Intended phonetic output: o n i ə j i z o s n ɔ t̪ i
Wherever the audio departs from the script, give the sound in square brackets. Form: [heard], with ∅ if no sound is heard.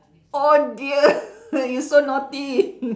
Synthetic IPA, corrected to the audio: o [d] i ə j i [s] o [∅] n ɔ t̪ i

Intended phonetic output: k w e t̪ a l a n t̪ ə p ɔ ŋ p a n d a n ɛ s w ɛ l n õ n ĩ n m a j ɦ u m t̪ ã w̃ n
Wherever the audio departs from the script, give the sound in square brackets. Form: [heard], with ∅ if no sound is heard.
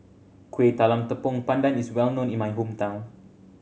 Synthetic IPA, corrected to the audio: k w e t̪ a l a [m] t̪ ə p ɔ ŋ p a n d a n [i] s w ɛ l n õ n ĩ n m a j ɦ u m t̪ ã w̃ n

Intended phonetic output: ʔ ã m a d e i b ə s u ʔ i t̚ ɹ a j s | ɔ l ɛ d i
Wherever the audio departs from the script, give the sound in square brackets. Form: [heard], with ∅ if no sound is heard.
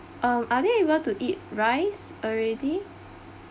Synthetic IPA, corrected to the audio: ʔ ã m a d e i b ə [t] u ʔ i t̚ ɹ a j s | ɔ [ɹ] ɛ d i

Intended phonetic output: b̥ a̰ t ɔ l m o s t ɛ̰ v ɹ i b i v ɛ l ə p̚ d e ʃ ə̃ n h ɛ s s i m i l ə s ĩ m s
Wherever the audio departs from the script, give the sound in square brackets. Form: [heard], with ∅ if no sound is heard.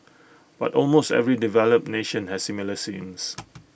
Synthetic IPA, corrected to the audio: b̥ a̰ t ɔ l m o s t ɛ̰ v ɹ i [d] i v ɛ l ə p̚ [n] e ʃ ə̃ n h ɛ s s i m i l ə s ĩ m s

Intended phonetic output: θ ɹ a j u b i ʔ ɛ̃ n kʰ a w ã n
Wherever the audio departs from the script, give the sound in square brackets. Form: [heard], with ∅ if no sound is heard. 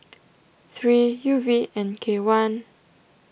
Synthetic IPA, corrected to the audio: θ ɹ [i] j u [v] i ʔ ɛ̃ n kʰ [e] w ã n

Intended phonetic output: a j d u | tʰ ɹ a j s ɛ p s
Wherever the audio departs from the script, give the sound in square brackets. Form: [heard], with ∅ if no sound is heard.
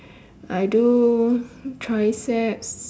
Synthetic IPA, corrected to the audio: a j d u | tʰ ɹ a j s ɛ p s

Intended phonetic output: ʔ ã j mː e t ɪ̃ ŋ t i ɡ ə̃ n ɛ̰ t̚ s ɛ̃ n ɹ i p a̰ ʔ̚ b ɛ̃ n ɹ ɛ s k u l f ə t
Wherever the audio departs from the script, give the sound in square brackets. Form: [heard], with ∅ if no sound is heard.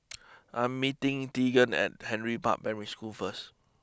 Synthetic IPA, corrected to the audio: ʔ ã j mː [i] t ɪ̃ ŋ t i ɡ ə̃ n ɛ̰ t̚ [h] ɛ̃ n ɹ i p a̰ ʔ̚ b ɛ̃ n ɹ [i] s k u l f ə [s]

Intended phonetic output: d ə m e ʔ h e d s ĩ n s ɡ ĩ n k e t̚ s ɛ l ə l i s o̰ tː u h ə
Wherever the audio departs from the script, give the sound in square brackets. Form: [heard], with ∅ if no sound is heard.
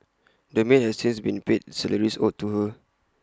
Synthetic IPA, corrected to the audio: d ə m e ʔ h [ɛ] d s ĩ n s [b] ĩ n [p] e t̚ s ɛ l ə [ɹ] i s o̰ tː u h ə

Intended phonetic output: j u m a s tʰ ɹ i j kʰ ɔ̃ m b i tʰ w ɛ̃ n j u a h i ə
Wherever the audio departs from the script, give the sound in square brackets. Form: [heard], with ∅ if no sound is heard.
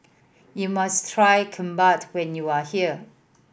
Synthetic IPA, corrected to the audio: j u m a s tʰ ɹ [a] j kʰ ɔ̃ m b [a] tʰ w ɛ̃ n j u a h i ə

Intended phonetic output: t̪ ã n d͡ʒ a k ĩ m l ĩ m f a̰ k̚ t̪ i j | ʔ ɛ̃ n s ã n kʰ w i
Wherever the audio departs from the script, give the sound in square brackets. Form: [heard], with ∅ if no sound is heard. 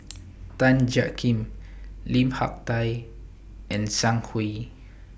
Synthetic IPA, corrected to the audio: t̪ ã n d͡ʒ a k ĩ m l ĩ m [h] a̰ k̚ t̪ [a] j | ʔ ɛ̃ n s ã [ŋ] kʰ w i

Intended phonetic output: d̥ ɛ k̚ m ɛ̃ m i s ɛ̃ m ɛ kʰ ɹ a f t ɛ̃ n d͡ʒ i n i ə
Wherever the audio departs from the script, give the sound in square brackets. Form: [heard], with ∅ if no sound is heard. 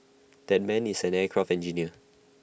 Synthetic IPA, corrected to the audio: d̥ ɛ [t̚] m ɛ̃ [n] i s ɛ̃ [n] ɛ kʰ ɹ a f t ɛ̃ n d͡ʒ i n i ə

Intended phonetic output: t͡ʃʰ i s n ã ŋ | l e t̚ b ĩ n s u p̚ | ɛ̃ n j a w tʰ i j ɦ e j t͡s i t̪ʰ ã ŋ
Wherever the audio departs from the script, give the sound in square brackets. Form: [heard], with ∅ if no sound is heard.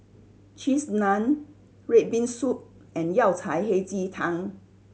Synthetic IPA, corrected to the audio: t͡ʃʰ i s n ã [n] | [ɹ] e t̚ b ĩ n s u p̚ | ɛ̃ n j a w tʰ [a] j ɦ e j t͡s i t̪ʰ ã ŋ

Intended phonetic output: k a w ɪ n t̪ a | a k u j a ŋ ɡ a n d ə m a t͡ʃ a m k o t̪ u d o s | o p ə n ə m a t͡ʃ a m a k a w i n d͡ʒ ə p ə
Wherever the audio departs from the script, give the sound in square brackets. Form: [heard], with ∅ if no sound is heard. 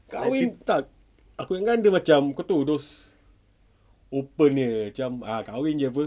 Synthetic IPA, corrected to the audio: k a w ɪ n t̪ a | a k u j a ŋ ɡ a n d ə m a t͡ʃ a m k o t̪ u d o s | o p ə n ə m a t͡ʃ a m a k a w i n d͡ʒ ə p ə

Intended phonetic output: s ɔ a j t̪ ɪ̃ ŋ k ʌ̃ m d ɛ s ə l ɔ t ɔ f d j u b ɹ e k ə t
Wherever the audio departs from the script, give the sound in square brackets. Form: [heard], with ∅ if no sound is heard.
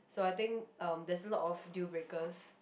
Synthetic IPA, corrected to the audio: s [o] a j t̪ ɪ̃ ŋ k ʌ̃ m d ɛ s ə l ɔ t ɔ f d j u b ɹ e k ə [s]

